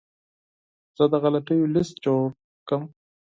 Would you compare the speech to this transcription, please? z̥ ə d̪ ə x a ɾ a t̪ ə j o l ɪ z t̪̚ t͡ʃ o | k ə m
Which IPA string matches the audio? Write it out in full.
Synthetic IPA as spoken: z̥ ə d̪ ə ɣ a l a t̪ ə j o l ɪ s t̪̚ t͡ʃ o | k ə m